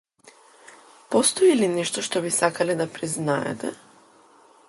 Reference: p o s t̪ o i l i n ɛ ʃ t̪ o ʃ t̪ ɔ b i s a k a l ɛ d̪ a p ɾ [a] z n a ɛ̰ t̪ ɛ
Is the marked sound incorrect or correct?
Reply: incorrect